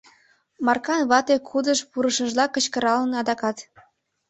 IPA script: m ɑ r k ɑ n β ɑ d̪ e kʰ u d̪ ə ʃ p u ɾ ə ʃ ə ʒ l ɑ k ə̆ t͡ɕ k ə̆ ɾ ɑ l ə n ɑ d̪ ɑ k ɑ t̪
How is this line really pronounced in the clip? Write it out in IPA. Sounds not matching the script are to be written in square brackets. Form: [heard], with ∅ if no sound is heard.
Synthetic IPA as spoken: m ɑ r k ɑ n β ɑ [t̪] e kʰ u d̪ ə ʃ p u ɾ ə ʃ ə ʒ l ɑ k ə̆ t͡ɕ k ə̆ ɾ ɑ l ə n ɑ d̪ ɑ k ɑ t̪